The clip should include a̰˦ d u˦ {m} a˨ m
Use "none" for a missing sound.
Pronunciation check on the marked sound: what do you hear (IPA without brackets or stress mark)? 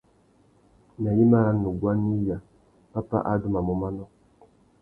m